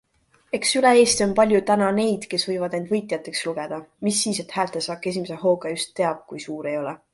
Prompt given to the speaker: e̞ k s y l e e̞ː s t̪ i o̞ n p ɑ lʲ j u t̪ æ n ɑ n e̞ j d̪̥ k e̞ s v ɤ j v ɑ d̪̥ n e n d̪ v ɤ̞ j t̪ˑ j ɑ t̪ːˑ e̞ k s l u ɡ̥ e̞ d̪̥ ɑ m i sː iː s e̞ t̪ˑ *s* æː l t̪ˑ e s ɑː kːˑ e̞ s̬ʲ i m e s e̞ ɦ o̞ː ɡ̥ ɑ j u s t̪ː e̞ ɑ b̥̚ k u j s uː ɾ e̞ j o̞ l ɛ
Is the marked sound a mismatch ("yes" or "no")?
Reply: yes